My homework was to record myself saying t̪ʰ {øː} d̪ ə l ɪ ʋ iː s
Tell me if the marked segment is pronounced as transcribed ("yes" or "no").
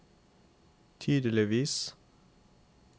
no